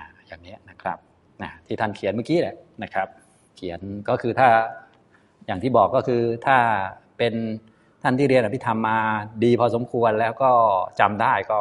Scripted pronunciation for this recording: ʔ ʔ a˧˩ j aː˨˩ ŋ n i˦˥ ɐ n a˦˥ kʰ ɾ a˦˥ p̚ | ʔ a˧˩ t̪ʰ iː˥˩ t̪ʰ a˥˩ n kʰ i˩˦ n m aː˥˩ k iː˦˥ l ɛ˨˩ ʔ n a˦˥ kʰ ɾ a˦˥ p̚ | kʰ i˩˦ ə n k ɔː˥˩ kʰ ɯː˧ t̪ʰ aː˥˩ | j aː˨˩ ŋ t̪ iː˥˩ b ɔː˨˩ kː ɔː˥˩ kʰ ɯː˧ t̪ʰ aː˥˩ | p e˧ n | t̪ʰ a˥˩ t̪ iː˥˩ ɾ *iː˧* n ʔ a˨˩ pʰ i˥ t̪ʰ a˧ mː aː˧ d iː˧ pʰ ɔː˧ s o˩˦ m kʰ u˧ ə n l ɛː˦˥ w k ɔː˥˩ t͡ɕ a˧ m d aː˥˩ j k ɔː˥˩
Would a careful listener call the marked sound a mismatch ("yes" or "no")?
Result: yes